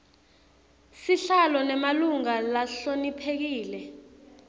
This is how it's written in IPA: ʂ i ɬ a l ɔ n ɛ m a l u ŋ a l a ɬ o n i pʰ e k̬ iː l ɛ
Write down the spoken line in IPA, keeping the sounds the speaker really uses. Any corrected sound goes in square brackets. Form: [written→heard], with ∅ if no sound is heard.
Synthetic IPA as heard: [ʂ→s] i ɬ a l ɔ n ɛ m a l u ŋ a l a ɬ o n i pʰ e k̬ iː l ɛ